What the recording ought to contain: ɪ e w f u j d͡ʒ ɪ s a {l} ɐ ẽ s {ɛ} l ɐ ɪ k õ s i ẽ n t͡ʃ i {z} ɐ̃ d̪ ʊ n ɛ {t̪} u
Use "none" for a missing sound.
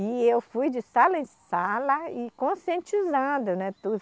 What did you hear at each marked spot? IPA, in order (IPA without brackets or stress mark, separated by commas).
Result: l, a, z, t̪